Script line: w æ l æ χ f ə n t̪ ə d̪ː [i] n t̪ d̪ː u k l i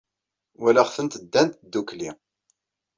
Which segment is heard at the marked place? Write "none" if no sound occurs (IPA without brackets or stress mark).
æ